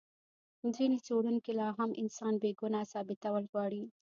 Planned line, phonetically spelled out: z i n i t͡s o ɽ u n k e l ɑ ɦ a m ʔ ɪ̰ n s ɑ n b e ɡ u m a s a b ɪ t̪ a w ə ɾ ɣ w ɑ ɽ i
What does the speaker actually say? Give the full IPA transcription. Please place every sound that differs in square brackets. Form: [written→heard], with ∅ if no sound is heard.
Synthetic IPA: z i n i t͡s o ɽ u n k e l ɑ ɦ a m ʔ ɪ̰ n s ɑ n b e ɡ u [m→n] a s [a→ɑ] b ɪ t̪ a w ə [ɾ→l] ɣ w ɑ ɽ i